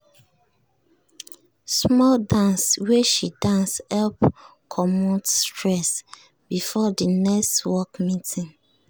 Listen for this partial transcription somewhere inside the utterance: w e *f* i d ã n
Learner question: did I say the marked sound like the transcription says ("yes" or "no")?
no